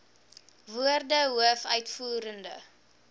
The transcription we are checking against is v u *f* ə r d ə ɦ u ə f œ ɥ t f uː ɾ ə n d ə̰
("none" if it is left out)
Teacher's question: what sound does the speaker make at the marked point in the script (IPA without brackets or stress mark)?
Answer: none